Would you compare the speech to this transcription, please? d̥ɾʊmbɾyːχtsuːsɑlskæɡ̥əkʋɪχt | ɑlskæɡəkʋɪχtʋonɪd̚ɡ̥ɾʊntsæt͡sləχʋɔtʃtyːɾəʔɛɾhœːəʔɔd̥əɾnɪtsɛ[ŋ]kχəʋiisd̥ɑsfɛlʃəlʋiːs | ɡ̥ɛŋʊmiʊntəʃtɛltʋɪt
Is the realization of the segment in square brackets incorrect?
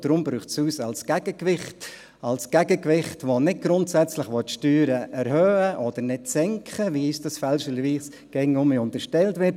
no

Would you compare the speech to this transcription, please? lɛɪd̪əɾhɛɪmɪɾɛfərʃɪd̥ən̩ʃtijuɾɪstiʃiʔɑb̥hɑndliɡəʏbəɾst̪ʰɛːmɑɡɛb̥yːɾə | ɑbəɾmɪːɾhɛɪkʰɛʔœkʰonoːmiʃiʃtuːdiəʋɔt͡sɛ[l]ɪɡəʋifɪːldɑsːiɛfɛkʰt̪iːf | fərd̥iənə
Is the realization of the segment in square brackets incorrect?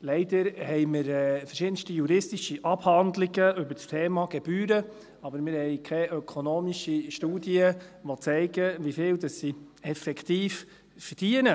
yes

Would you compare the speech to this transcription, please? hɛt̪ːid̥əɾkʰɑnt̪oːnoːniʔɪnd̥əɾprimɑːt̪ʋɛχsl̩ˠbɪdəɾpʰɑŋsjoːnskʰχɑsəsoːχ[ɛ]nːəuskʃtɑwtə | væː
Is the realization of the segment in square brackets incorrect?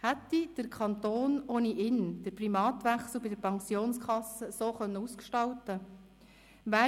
yes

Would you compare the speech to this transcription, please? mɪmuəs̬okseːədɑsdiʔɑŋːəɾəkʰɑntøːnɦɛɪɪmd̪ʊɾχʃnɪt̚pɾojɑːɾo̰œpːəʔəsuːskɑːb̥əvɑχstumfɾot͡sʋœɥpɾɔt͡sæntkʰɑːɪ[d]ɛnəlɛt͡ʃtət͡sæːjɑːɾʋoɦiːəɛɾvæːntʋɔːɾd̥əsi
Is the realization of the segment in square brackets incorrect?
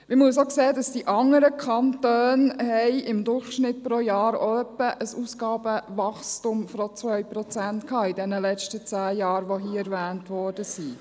no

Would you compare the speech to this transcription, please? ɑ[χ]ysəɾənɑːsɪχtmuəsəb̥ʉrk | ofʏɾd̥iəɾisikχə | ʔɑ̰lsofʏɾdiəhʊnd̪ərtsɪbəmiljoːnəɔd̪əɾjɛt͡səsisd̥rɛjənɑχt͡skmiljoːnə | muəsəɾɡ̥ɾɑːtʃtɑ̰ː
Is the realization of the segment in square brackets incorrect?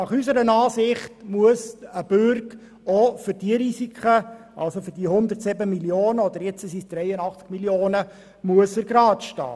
no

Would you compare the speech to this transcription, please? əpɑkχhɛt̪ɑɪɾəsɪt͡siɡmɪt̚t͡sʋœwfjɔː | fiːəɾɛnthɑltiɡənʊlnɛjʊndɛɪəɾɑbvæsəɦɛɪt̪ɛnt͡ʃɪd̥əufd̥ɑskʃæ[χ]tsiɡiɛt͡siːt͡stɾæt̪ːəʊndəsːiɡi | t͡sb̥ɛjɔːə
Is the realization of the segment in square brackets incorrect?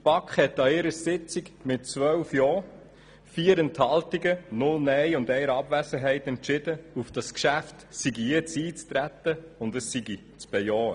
yes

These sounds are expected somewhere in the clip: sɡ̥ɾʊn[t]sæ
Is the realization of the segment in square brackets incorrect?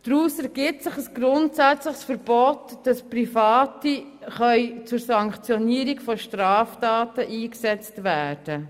no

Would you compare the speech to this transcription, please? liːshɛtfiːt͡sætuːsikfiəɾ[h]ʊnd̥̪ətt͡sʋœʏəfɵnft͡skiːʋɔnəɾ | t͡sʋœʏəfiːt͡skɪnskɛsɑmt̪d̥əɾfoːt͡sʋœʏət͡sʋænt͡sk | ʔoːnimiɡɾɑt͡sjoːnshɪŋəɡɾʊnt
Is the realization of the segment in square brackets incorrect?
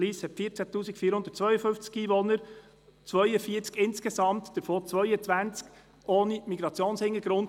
no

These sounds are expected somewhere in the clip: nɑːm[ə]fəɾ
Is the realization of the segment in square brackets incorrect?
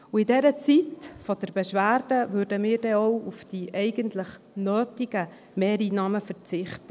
no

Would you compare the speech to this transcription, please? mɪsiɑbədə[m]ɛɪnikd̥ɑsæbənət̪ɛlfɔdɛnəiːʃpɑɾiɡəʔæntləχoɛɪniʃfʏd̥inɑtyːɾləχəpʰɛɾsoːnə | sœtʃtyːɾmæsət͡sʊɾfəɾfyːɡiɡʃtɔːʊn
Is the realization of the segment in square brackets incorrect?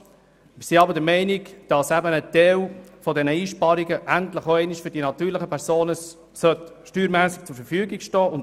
no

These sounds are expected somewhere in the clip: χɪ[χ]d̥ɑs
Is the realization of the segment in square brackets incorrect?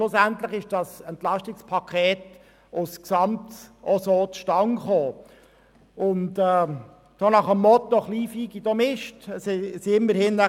yes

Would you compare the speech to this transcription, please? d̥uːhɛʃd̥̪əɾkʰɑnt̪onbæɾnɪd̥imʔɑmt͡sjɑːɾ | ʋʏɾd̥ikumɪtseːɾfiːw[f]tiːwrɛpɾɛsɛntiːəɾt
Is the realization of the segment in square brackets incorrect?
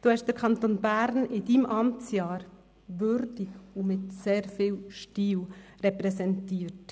yes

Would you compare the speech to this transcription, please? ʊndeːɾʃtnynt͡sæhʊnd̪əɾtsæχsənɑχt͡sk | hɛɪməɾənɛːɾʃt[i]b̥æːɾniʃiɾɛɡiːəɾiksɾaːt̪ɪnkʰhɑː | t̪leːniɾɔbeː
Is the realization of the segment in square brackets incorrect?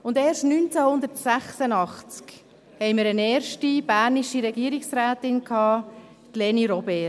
no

